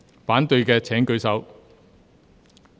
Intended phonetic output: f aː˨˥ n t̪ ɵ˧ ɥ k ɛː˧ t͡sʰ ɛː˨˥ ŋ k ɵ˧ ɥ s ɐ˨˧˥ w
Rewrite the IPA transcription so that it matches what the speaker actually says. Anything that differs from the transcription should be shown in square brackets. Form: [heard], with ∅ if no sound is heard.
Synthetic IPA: f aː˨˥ n t̪ ɵ˧ ɥ k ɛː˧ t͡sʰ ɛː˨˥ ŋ k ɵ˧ ɥ s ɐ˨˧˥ w